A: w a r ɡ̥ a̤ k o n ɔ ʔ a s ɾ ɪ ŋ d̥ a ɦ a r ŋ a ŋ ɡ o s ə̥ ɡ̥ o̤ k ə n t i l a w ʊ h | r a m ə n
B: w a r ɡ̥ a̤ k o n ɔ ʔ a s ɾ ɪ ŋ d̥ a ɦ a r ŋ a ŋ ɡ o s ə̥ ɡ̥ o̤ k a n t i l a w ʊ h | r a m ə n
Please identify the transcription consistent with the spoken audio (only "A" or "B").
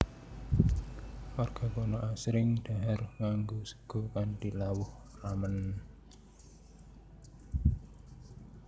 B